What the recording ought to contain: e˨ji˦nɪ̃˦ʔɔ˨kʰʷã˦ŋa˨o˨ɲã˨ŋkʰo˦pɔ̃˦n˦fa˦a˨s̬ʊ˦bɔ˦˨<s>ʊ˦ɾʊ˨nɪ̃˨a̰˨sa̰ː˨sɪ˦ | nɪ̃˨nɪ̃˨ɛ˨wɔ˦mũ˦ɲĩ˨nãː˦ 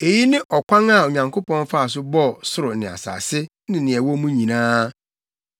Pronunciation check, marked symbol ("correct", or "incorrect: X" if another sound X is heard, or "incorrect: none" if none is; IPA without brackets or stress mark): correct